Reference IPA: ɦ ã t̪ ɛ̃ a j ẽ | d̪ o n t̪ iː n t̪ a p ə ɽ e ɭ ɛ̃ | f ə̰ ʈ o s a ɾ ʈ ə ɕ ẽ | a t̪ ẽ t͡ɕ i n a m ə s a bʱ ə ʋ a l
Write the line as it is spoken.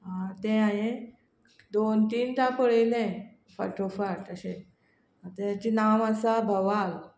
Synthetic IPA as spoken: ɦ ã t̪ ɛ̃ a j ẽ | d̪ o n t̪ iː n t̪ a p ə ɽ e l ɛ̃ | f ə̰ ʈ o f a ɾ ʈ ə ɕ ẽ | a t̪ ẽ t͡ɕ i n a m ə s a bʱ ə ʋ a l